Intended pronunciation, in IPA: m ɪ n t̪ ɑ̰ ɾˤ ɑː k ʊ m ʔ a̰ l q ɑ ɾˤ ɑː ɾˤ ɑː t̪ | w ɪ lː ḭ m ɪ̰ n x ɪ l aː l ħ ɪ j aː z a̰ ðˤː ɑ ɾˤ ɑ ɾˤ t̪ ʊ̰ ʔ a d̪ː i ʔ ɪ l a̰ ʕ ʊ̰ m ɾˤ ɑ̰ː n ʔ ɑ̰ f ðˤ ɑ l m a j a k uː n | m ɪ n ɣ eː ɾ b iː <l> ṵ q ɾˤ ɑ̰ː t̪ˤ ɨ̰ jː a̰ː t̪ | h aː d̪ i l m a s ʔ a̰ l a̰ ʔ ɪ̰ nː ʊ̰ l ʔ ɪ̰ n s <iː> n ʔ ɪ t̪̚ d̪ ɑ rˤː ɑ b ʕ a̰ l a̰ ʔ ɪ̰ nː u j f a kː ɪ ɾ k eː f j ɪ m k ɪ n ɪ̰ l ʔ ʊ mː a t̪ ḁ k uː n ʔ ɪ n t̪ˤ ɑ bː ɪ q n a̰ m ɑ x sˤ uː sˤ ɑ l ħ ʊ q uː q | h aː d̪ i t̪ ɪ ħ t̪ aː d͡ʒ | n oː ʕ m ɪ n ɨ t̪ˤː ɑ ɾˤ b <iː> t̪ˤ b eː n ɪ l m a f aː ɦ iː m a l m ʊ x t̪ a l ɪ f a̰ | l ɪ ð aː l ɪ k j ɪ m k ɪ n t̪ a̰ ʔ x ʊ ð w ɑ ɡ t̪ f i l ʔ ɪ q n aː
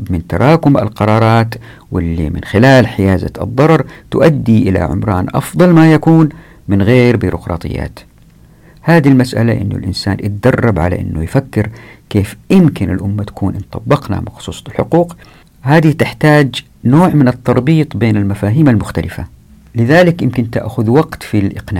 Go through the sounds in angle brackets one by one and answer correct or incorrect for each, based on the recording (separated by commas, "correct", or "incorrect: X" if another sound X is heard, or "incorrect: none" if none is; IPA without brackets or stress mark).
incorrect: ɾ, incorrect: aː, correct